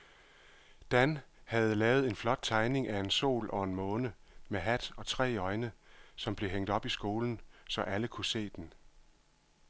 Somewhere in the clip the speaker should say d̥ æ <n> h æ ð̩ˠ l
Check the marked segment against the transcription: correct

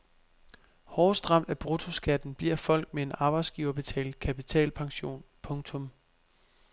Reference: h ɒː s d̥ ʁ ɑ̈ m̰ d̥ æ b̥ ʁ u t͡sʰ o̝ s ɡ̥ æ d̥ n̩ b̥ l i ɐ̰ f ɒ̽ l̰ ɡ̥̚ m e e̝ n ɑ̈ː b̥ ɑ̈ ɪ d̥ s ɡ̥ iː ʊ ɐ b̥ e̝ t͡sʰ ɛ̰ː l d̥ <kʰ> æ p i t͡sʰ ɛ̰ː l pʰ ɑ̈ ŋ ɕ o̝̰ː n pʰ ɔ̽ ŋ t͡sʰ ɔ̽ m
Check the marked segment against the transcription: correct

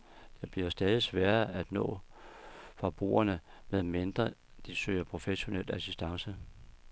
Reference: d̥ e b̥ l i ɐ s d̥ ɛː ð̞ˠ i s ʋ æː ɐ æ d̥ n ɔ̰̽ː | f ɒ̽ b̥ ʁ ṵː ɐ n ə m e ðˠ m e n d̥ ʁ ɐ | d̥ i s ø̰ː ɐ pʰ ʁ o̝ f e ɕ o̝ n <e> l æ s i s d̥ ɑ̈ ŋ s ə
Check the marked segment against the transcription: correct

